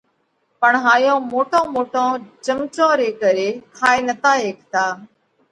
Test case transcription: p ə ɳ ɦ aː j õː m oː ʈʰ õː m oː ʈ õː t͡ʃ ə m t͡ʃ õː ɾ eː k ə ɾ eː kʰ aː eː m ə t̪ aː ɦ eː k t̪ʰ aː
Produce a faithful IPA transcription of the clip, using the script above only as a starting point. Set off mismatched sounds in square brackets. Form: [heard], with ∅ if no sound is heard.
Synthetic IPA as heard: p ə ɳ ɦ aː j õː m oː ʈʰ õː m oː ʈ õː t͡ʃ ə m t͡ʃ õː ɾ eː k ə ɾ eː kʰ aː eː [n] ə t̪ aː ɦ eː k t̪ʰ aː